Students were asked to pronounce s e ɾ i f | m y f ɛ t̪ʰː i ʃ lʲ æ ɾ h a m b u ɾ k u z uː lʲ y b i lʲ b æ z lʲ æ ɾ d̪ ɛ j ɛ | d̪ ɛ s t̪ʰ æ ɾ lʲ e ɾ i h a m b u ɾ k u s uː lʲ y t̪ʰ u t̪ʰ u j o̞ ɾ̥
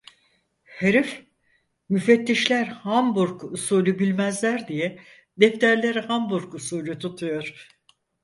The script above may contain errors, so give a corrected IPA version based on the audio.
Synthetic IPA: h e ɾ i f | m y f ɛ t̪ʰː i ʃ lʲ æ ɾ h a m b u ɾ k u s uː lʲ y b i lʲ m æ z lʲ æ ɾ d̪ i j ɛ | d̪ ɛ f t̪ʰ æ ɾ lʲ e ɾ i h a m b u ɾ k u s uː lʲ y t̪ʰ u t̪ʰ u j o̞ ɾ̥